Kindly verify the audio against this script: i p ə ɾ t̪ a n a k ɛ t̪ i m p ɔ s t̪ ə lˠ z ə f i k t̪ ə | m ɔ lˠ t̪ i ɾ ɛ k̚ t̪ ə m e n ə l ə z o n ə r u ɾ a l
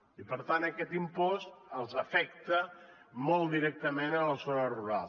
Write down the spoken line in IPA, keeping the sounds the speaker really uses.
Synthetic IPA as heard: i p ə ɾ t̪ a n ə k ɛ t̪ i m p ɔ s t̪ ə lˠ z ə f ɛ k t̪ ə | m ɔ lˠ d̪ i ɾ ɛ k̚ t̪ ə m e n ə l ə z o n ə r u ɾ a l